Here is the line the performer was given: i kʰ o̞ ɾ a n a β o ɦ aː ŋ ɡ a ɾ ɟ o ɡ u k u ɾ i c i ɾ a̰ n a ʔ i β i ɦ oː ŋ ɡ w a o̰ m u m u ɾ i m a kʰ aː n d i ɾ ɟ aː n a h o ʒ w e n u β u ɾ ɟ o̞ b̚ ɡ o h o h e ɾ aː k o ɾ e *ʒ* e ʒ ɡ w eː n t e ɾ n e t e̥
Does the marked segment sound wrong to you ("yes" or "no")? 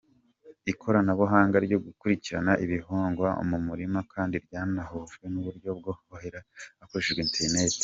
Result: yes